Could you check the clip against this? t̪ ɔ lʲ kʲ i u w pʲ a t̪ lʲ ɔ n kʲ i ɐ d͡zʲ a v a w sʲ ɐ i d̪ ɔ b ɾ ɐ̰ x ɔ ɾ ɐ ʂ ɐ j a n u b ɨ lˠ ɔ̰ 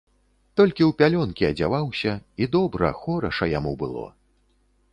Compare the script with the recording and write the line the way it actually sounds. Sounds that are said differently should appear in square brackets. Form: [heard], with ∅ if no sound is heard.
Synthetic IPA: t̪ ɔ lʲ kʲ i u w pʲ a [∅] lʲ ɔ n kʲ i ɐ d͡zʲ a v a w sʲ ɐ i d̪ ɔ b ɾ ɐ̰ x ɔ ɾ ɐ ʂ ɐ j a [m] u b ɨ lˠ ɔ̰